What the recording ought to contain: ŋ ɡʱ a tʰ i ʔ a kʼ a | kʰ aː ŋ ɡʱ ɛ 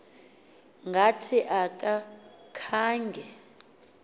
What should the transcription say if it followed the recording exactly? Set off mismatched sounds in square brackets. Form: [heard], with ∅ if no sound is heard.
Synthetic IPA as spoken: ŋ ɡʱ a tʰ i ʔ a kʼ a | kʰ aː ŋ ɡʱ ɛ